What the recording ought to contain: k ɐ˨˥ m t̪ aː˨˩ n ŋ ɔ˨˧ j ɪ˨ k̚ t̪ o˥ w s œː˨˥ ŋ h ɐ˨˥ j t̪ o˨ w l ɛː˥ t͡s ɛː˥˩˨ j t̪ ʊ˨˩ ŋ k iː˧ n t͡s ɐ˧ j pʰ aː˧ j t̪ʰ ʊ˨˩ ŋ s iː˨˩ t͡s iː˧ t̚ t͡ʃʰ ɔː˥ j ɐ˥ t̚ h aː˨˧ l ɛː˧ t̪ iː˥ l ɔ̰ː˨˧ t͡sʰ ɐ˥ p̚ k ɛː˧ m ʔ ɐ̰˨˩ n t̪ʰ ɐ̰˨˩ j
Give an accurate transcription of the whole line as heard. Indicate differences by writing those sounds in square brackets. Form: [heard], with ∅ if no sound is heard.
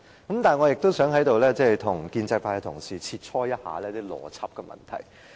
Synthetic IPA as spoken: k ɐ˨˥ m t̪ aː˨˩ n ŋ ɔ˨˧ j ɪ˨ k̚ t̪ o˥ w s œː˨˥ ŋ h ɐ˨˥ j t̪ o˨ w l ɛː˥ t͡s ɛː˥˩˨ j [t̪ʰ] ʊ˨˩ ŋ k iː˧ n t͡s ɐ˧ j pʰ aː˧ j t̪ʰ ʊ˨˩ ŋ s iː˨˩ [t͡sʰ] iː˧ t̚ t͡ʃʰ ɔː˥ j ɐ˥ t̚ h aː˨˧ l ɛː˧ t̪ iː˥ l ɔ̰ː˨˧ t͡sʰ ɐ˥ p̚ k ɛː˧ m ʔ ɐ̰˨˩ n t̪ʰ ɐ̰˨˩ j